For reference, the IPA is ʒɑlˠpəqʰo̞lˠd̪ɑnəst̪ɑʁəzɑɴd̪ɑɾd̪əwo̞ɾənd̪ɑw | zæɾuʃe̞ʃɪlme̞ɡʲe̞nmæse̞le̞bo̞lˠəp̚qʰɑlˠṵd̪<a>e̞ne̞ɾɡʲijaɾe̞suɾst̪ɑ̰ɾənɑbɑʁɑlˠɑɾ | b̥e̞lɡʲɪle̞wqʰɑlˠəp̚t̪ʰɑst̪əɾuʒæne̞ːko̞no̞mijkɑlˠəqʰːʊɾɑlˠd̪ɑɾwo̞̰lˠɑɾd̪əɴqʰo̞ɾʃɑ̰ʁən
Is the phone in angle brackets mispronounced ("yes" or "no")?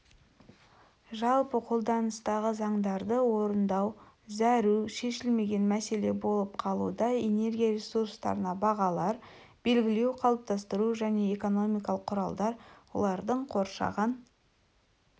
yes